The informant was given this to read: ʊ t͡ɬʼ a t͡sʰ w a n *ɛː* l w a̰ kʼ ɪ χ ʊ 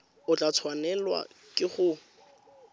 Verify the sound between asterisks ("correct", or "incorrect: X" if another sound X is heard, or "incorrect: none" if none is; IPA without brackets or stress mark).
incorrect: ɛ